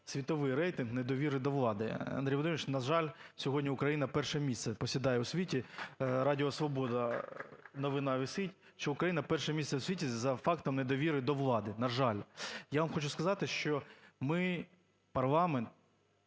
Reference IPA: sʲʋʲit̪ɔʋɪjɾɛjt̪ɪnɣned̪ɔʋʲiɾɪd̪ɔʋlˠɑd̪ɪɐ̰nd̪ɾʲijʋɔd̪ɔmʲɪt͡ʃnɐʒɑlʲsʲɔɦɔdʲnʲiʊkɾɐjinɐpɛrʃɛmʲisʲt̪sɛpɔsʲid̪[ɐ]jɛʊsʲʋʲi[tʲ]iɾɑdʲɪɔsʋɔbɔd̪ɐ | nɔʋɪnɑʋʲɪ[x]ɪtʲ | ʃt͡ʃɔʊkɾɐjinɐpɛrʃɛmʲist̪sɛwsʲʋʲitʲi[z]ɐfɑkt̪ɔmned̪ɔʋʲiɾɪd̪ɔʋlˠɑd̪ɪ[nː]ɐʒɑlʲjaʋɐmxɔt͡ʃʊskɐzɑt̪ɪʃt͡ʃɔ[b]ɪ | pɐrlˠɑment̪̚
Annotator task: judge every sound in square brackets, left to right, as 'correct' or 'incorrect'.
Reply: incorrect: ɑ, correct, incorrect: s, correct, incorrect: n, incorrect: m

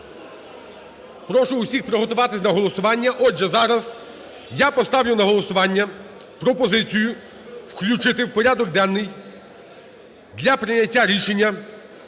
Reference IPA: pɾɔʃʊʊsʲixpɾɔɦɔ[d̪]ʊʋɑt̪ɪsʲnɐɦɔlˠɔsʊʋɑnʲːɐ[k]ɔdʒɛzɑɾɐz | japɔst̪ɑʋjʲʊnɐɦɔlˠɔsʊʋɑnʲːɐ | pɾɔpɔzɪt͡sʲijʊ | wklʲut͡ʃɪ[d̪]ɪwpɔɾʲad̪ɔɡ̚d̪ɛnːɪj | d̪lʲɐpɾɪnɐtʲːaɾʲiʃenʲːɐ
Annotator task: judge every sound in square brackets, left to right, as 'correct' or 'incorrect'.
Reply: incorrect: t̪, incorrect: ʔ, incorrect: t̪

